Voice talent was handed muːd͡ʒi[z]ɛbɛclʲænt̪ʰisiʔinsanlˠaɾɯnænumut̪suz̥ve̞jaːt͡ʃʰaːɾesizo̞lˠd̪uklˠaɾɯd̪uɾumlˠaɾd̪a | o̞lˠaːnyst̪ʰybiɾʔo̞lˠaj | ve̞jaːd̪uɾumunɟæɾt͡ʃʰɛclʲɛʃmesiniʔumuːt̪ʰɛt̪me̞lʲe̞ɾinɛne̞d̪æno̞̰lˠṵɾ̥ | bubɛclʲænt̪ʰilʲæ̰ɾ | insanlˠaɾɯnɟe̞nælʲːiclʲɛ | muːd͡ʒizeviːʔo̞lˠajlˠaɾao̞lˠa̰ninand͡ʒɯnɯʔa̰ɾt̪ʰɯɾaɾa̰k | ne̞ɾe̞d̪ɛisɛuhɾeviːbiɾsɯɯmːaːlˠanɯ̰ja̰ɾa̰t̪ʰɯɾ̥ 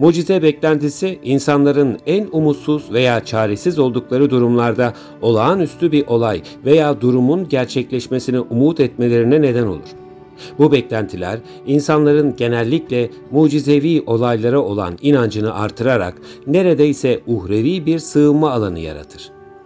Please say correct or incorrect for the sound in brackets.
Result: correct